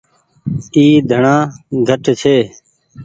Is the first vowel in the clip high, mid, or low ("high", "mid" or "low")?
high